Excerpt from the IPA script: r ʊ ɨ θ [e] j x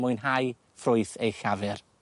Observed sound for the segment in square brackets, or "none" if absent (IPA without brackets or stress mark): e